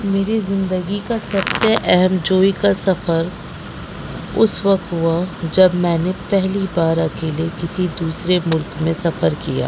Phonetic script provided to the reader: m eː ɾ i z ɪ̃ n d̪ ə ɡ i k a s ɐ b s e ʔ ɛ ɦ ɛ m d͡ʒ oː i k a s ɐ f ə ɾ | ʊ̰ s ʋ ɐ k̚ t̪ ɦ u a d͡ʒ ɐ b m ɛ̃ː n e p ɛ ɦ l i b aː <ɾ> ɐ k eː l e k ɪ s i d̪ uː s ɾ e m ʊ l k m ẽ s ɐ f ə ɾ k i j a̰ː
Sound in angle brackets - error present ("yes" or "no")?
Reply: no